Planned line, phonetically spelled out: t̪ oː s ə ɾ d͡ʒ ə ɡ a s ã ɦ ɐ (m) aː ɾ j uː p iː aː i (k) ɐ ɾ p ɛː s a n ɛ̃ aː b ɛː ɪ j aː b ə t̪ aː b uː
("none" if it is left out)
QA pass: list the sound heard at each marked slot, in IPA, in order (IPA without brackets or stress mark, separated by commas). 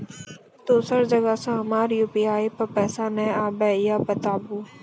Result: m, p